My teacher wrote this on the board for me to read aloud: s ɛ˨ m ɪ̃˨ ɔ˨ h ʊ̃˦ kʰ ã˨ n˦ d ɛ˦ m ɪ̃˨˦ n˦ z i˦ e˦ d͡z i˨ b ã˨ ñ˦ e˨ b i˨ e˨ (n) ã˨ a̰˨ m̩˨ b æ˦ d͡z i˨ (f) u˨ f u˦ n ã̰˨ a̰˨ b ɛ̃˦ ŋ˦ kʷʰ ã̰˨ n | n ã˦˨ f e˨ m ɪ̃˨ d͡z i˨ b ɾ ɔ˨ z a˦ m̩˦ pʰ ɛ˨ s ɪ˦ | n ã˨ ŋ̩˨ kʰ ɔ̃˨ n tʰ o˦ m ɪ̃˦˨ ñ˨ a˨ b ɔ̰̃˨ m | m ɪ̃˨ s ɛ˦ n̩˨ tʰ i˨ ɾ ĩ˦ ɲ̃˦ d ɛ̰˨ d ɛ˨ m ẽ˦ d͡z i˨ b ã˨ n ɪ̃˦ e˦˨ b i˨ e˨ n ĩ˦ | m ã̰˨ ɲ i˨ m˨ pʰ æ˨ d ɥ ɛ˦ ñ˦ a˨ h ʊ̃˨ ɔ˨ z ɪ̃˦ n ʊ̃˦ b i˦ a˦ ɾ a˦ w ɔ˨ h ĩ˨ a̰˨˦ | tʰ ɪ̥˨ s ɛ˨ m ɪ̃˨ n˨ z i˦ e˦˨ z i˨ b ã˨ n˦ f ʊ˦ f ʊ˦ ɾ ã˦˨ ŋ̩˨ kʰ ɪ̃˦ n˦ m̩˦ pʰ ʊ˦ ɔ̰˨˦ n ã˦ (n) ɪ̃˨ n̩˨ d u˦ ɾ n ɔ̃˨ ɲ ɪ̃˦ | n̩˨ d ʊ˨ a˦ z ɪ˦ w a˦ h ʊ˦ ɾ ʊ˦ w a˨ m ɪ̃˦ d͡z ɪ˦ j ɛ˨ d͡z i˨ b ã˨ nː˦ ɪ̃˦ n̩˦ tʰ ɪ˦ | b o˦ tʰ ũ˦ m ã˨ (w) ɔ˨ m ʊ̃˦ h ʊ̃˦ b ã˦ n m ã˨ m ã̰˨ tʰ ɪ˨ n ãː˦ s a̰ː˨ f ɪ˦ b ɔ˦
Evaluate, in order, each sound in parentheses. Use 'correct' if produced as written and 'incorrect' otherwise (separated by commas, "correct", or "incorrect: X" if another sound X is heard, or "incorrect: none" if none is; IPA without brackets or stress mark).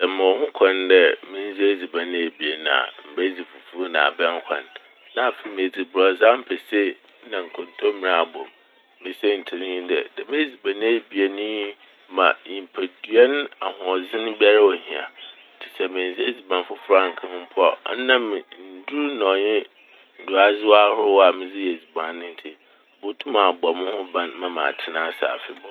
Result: correct, correct, incorrect: m, incorrect: b